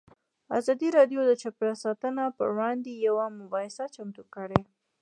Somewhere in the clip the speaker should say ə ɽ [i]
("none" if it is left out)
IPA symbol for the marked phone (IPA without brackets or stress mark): e